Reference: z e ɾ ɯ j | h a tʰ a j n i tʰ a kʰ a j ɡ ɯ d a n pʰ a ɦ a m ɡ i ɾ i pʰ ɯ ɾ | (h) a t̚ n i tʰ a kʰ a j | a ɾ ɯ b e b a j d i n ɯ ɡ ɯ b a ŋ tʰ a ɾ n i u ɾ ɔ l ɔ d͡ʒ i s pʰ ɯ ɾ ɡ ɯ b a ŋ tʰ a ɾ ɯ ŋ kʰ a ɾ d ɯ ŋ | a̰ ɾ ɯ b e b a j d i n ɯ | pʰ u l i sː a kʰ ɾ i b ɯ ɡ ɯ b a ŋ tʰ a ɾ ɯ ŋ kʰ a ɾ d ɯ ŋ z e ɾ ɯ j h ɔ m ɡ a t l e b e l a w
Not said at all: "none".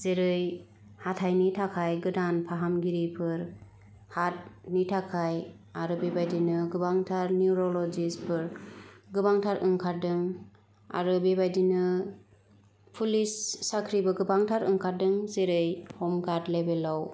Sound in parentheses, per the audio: h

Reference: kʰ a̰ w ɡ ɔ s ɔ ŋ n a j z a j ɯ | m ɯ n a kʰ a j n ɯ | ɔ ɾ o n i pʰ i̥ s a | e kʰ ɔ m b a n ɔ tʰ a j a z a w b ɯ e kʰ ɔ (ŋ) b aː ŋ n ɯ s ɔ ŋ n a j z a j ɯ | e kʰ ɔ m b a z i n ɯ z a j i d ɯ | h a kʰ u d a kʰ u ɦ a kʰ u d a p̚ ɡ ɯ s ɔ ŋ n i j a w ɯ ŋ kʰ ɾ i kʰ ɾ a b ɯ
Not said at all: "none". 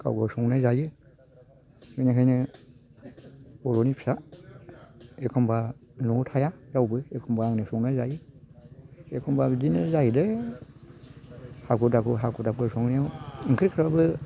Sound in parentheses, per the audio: m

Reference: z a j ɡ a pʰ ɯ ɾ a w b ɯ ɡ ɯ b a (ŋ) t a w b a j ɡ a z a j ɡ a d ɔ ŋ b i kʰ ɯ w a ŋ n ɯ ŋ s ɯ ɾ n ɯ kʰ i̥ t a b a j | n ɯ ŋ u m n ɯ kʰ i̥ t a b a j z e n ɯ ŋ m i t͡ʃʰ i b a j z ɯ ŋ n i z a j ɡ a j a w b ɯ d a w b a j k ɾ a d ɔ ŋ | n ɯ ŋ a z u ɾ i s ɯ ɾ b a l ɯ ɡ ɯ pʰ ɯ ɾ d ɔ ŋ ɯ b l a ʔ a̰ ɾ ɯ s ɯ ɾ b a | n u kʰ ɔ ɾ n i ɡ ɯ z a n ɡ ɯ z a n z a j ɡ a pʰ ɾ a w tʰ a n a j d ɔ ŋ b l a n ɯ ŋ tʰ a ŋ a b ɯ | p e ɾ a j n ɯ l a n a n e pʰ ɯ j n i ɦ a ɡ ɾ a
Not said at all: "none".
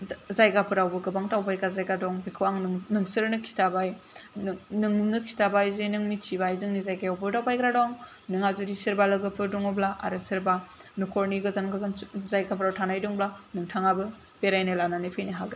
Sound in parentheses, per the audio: ŋ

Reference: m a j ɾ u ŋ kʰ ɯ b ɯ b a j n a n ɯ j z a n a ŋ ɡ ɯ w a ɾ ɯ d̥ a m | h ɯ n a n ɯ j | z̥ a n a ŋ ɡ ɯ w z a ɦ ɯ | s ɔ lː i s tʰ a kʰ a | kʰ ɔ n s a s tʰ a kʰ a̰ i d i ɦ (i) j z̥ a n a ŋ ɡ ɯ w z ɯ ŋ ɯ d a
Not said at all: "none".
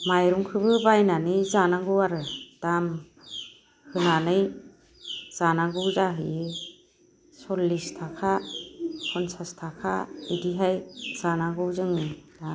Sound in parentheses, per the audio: a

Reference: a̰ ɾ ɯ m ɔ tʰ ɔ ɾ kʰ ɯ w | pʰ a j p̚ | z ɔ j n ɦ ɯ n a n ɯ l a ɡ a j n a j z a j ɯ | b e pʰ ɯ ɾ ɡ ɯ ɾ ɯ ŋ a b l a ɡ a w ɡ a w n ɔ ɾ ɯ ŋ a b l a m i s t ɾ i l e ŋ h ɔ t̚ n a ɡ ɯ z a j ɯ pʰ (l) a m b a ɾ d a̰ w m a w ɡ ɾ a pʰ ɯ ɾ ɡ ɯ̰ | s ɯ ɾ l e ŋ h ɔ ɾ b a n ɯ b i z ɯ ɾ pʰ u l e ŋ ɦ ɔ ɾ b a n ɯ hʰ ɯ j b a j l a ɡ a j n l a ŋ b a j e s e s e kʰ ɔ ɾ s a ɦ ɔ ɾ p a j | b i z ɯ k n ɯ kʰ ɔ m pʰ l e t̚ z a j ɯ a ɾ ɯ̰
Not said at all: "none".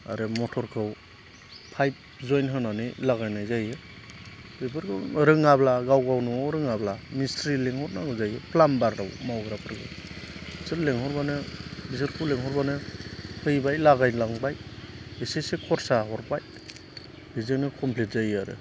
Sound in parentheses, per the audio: l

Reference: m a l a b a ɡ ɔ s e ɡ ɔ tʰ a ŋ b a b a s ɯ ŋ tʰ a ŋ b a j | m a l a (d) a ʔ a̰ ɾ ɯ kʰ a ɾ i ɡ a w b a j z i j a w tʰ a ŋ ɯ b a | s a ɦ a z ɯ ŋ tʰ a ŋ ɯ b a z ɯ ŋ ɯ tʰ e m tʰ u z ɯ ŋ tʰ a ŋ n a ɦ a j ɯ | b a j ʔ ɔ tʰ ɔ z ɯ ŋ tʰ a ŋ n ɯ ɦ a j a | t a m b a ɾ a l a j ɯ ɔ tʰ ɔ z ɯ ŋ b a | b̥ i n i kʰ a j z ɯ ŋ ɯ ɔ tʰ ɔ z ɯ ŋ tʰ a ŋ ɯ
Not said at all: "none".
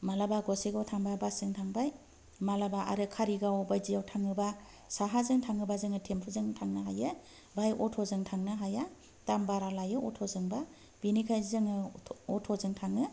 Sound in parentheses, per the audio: b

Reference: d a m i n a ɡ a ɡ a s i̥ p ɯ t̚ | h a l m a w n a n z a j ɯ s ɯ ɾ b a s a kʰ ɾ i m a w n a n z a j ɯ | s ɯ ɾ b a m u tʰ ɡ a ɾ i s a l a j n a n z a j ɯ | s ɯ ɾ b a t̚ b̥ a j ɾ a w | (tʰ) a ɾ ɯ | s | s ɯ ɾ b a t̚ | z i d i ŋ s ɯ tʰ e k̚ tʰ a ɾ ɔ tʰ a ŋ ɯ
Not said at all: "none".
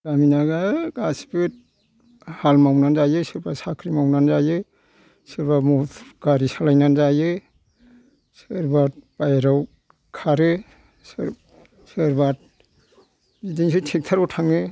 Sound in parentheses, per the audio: kʰ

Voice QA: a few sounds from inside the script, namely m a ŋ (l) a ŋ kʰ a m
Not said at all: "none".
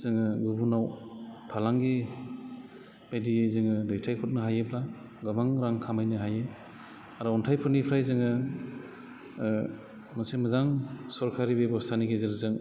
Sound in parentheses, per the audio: ɾ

